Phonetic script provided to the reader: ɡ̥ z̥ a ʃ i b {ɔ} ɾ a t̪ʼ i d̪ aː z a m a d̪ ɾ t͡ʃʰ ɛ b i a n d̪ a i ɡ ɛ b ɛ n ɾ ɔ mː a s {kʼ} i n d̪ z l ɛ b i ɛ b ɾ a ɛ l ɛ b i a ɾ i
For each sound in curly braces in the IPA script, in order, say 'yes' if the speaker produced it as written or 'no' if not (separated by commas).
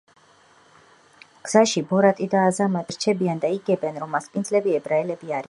yes, no